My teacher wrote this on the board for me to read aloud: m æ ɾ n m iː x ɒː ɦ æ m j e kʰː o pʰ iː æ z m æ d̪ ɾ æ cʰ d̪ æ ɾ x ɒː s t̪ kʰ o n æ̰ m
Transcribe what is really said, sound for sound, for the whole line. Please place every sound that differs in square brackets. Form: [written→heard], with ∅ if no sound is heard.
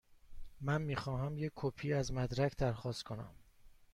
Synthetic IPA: m æ [ɾ→∅] n m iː x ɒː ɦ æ m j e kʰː o pʰ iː æ z m æ d̪ ɾ æ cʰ d̪ æ ɾ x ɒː s t̪ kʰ o n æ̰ m